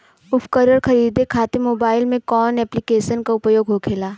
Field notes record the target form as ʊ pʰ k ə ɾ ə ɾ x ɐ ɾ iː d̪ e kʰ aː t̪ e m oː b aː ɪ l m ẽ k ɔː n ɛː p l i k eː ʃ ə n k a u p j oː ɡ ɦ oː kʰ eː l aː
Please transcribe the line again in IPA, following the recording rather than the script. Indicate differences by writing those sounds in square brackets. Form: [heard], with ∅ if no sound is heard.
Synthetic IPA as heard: ʊ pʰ k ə ɾ ə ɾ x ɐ ɾ iː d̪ e kʰ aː t̪ e m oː b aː ɪ l m ẽ k ɔː n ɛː p l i k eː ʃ ə n k a [ʊ] p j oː ɡ ɦ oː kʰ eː l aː